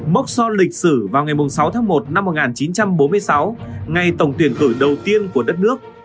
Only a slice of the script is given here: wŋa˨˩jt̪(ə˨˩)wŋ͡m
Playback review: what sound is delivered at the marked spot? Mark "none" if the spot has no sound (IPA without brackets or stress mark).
ə˨˩